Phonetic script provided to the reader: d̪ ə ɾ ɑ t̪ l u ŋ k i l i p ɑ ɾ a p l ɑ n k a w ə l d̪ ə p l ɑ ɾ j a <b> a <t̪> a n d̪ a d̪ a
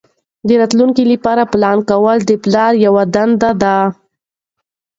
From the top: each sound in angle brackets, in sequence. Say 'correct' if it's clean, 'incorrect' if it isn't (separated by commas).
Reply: incorrect, incorrect